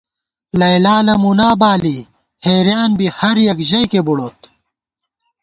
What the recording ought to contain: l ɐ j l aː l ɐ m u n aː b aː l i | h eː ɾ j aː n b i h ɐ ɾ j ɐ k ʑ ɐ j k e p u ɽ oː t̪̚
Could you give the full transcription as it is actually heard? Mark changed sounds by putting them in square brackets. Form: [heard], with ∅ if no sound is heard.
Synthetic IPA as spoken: l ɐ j l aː l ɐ m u n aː b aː l i | h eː ɾ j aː n b i h ɐ ɾ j ɐ k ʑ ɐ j k e [b] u ɽ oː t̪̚